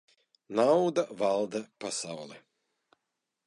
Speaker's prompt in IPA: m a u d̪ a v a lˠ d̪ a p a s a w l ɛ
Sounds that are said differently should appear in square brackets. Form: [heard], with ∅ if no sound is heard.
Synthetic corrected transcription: [n] a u d̪ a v a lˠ d̪ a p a s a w l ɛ